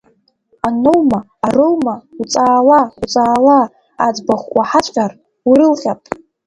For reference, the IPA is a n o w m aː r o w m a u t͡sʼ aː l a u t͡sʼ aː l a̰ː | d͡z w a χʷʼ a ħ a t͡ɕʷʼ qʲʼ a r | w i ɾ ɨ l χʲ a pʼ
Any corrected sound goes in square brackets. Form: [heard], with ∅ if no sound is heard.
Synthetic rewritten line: a n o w m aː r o w m a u t͡sʼ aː l a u t͡sʼ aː l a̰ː | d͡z [b] a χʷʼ a ħ a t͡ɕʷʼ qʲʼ a r | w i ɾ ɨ l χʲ a pʼ